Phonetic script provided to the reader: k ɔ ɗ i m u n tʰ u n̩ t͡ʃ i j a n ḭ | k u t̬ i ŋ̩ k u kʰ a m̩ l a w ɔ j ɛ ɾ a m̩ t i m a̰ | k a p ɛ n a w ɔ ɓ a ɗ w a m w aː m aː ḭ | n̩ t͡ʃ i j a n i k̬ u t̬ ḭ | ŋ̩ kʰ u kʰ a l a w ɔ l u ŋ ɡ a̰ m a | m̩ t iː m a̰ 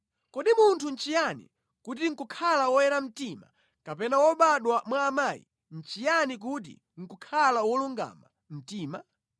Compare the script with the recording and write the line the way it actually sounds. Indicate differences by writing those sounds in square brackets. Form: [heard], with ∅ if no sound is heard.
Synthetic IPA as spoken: k ɔ ɗ i m u n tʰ u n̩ t͡ʃ i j a n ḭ | k u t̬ i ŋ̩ k u kʰ a [∅] l a w ɔ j ɛ ɾ a m̩ t i m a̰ | k a p ɛ n a w ɔ ɓ a ɗ w a m w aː m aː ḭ | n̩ t͡ʃ i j a n i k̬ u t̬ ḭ | ŋ̩ [k] u kʰ a l a w ɔ l u ŋ ɡ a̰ m a | m̩ t iː m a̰